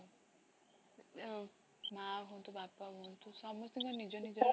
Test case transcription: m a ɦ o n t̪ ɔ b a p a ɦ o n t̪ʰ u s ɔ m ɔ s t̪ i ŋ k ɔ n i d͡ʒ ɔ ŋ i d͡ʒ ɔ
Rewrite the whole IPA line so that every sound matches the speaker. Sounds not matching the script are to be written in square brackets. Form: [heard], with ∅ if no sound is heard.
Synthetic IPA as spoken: m a ɦ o n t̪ [u] b a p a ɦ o n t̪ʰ u s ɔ m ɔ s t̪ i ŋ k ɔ n i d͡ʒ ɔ [n] i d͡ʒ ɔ